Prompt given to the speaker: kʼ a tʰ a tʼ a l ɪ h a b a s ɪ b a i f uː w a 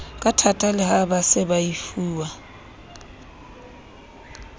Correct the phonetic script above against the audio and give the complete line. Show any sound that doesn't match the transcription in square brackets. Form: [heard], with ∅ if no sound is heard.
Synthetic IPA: kʼ a tʰ a tʼ a l ɪ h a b a s ɪ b a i f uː w a